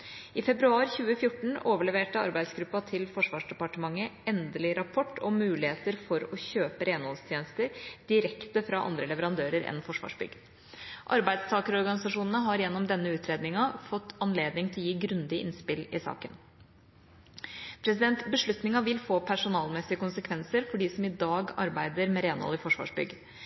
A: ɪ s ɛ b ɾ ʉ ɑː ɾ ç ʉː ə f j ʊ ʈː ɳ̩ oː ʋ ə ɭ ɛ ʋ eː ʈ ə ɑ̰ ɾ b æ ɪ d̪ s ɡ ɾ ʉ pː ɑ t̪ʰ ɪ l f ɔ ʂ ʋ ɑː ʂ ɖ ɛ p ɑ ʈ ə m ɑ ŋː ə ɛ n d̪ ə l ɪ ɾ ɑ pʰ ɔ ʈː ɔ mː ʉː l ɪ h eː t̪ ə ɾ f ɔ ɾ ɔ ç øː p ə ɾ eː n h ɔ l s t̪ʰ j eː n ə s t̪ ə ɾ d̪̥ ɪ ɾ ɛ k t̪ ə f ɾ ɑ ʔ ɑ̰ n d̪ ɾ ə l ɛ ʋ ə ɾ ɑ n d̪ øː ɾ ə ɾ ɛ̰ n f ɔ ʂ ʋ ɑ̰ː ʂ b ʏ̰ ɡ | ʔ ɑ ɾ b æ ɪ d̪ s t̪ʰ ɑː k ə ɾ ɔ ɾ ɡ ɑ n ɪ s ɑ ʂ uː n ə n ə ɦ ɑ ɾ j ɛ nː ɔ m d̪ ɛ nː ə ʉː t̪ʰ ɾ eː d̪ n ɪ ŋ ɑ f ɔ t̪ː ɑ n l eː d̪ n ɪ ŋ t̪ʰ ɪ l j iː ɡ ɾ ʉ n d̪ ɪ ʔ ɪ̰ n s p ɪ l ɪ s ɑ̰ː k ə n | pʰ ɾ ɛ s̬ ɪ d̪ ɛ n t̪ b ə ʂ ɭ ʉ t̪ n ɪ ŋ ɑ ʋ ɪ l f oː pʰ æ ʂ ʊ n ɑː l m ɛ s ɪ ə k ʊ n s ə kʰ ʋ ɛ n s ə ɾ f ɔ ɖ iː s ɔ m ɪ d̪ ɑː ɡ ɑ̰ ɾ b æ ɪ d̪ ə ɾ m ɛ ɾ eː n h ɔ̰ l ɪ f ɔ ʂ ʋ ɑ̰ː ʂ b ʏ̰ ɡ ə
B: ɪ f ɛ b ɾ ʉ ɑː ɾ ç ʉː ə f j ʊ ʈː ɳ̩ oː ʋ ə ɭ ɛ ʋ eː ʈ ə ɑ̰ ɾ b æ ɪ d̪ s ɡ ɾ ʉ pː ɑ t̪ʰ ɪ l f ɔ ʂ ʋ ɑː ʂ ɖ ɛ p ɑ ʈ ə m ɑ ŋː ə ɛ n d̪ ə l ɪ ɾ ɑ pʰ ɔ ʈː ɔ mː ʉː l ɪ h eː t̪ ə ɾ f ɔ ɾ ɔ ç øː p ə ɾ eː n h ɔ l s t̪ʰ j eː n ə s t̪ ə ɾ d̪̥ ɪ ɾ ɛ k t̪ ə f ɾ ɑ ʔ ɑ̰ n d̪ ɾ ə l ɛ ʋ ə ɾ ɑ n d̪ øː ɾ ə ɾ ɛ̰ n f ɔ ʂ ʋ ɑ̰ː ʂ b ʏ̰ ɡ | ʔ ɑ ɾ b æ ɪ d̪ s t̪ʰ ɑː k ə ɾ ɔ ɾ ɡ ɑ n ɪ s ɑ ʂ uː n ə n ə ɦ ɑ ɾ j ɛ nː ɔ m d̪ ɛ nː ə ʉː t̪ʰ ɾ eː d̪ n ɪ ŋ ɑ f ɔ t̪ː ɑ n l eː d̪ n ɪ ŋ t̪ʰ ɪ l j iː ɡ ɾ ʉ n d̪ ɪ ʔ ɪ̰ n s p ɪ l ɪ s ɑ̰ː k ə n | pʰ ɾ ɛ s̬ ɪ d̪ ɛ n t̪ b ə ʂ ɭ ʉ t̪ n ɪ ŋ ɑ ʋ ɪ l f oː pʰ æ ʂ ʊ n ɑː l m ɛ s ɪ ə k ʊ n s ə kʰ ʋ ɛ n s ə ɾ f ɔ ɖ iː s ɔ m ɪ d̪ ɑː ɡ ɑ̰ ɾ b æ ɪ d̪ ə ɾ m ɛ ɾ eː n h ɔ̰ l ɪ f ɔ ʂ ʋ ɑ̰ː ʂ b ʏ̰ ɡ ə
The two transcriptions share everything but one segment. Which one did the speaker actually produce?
B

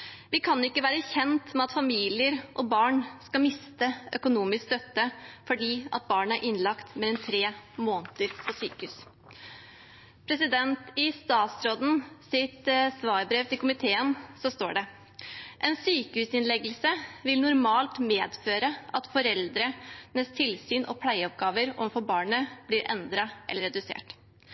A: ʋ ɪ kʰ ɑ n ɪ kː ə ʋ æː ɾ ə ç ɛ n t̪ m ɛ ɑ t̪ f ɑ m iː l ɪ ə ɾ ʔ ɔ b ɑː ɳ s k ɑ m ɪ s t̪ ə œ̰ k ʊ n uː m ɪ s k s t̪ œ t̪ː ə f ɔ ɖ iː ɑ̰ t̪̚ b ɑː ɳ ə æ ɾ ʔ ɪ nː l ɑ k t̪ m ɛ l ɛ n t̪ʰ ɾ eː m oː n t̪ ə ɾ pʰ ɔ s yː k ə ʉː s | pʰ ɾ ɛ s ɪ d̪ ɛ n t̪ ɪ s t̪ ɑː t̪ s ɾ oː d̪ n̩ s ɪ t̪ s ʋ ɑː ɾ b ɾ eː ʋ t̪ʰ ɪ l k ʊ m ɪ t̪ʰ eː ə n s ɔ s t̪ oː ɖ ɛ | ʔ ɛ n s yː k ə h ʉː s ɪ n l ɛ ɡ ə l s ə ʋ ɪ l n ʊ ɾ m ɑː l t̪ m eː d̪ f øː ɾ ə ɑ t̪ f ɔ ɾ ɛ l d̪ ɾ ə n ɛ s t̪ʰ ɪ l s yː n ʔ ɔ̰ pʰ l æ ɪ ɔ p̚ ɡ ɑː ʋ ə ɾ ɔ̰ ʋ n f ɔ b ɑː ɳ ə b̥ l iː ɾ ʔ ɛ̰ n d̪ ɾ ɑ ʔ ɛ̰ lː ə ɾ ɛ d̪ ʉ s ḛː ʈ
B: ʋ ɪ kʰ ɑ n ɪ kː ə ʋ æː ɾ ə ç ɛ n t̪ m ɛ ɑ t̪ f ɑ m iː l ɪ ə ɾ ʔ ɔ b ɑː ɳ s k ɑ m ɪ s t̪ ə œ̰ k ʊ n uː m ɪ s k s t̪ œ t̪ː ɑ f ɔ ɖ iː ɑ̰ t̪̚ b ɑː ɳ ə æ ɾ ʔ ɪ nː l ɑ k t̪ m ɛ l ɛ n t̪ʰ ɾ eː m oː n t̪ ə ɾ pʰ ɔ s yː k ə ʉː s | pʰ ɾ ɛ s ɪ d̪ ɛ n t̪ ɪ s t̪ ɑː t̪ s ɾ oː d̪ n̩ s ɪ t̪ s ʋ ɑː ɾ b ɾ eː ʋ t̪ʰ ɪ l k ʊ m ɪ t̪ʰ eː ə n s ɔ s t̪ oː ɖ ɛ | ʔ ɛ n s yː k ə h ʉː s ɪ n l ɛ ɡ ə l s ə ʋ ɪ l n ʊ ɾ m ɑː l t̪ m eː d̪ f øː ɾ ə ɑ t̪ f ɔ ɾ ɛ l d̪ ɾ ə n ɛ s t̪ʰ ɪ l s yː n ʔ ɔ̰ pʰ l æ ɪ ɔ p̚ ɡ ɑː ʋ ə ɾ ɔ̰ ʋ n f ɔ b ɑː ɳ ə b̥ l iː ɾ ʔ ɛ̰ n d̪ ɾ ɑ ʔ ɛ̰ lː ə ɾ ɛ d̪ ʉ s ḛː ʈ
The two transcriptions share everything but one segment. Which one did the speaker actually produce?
A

